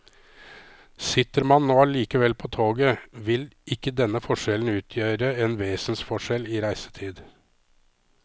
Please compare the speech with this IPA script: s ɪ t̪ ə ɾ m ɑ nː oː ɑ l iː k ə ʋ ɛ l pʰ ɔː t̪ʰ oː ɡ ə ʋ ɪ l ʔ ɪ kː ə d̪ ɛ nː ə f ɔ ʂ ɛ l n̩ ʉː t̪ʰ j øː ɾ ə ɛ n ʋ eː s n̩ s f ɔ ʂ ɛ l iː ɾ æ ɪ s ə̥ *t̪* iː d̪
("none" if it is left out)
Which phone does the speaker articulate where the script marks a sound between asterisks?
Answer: t̪ʰ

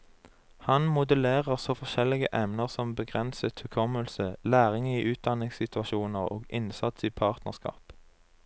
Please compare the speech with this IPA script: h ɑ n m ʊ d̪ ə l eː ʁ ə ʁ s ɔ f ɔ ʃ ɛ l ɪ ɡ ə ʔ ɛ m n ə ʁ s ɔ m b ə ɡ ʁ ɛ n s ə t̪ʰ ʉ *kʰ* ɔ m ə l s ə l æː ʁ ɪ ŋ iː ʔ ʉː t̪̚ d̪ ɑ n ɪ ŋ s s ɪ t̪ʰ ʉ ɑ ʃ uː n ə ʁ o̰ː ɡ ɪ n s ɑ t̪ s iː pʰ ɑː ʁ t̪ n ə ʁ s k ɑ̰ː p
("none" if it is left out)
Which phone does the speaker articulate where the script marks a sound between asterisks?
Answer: kʰ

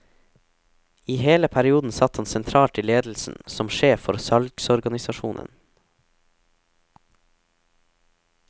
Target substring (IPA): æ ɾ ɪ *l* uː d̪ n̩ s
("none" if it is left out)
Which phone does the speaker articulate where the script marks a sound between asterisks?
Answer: none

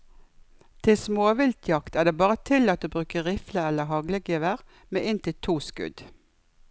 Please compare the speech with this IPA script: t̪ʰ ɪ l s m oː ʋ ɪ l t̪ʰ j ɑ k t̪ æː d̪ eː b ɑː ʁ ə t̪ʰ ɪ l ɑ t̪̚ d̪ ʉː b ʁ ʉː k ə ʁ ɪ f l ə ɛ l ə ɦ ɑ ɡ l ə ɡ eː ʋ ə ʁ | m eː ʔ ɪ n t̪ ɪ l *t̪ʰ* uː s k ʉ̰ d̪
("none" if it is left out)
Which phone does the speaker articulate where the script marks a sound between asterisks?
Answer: t̪ʰ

